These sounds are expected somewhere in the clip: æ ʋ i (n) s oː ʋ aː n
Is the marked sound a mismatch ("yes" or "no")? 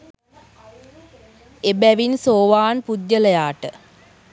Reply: no